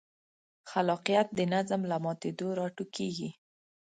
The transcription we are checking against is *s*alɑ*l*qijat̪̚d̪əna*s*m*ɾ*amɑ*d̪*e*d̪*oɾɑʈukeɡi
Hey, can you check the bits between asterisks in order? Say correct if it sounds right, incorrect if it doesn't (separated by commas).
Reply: incorrect, incorrect, incorrect, incorrect, incorrect, correct